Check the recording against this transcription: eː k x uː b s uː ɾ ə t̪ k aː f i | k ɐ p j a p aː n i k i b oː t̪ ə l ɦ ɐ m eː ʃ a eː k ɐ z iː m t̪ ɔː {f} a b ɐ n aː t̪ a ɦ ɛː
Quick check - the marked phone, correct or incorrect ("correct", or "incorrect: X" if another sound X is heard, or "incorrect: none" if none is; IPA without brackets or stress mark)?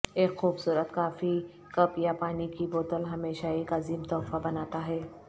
correct